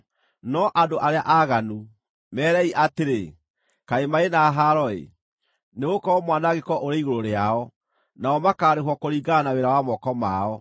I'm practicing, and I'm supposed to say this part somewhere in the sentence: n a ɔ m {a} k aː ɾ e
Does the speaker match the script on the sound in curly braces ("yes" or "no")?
yes